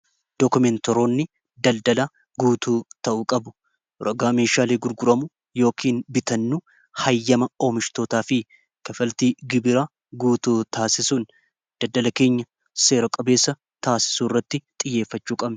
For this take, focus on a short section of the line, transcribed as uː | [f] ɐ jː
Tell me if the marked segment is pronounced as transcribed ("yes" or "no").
no